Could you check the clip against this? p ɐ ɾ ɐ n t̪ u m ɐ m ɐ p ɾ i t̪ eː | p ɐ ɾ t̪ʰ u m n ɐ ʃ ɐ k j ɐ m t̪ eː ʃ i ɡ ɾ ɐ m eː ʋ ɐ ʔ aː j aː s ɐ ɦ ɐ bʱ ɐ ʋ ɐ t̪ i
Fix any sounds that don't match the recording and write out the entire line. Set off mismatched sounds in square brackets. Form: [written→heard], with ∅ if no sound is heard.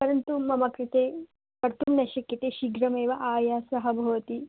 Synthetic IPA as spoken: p ɐ ɾ ɐ n t̪ u m ɐ m ɐ [p→k] ɾ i t̪ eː | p ɐ ɾ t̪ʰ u m n ɐ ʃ ɐ k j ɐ [m→∅] t̪ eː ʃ i ɡ ɾ ɐ m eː ʋ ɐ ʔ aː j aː s ɐ ɦ ɐ bʱ ɐ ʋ ɐ t̪ i